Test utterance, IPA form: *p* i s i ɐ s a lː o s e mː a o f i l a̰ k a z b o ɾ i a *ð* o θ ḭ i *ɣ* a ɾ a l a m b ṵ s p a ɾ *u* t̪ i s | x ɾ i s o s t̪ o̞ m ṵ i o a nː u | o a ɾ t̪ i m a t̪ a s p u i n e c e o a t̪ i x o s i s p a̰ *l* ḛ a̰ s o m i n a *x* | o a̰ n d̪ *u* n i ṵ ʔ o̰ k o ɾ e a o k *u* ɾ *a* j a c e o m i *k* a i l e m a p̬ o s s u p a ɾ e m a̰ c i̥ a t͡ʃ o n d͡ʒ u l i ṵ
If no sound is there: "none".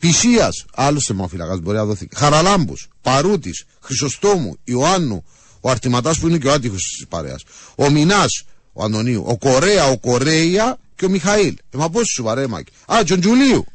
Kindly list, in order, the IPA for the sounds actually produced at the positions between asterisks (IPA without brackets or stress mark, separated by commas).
p, ð, x, u, ɾ, s, o, o, e, x